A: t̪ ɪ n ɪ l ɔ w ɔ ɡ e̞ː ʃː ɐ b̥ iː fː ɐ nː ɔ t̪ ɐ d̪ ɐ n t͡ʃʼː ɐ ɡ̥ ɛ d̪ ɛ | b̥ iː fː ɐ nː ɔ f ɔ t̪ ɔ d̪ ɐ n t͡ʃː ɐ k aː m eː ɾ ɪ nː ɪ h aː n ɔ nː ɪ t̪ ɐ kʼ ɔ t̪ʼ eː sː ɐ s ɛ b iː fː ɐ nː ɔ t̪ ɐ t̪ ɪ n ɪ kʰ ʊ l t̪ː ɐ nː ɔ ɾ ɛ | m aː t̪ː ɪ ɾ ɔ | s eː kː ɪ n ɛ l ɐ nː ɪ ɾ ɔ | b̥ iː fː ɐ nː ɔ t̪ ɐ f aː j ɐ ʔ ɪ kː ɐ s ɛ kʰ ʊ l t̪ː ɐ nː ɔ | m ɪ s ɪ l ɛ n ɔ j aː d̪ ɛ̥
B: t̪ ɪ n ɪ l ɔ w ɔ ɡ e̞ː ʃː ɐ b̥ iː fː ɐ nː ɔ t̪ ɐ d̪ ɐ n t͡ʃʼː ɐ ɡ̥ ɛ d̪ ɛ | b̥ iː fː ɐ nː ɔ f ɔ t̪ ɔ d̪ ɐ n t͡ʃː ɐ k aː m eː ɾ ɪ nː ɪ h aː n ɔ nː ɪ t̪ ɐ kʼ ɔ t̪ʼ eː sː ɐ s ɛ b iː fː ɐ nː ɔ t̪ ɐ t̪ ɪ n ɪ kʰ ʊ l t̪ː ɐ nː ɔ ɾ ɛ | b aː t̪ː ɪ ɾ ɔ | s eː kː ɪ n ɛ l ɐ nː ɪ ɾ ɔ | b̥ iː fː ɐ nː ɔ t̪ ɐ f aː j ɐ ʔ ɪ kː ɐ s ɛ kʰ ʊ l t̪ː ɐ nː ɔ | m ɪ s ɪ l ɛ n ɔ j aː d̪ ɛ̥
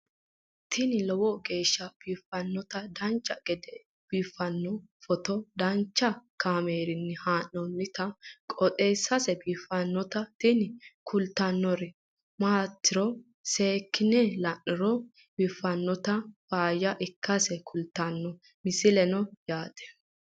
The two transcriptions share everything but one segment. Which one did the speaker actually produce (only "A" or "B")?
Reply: A